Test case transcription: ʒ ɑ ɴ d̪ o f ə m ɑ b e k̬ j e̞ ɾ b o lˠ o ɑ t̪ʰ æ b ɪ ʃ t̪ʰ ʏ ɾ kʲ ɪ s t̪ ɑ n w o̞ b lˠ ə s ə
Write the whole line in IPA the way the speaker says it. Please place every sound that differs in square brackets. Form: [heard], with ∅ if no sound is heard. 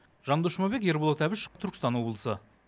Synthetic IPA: ʒ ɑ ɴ d̪ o [ʃ] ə m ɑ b e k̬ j e̞ ɾ b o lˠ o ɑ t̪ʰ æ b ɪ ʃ t̪ʰ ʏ ɾ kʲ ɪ s t̪ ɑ n w o̞ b lˠ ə s ə